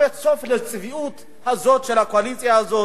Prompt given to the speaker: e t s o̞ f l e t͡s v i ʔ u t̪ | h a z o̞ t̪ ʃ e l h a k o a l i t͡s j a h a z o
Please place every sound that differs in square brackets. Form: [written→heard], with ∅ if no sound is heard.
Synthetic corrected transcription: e t s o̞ f l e t͡s v i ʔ u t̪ | h a z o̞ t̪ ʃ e l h a k o a l i t͡s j a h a z o